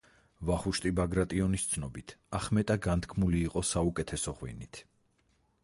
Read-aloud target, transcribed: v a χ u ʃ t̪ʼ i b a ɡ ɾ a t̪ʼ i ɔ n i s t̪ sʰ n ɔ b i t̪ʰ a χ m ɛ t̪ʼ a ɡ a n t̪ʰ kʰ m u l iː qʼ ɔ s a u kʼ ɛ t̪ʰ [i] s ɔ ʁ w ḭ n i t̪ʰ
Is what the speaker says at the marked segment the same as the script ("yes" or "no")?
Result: no